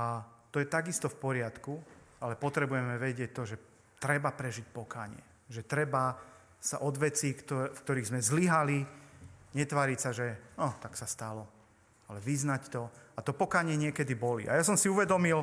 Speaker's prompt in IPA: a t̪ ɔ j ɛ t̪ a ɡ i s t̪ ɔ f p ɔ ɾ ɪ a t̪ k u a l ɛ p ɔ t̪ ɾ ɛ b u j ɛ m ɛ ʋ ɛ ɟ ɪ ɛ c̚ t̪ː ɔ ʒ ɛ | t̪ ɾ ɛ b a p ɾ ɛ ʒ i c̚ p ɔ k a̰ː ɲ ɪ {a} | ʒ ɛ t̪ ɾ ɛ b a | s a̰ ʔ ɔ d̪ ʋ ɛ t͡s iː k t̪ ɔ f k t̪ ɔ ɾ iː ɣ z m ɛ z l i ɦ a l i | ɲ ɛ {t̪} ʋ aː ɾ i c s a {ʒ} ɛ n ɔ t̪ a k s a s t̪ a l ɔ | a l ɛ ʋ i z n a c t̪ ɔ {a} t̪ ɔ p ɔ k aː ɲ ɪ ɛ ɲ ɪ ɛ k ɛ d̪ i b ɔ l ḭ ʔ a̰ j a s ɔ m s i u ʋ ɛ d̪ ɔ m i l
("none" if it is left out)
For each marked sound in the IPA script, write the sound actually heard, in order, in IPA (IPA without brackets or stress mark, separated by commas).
ɛ, t̪, ʒ, a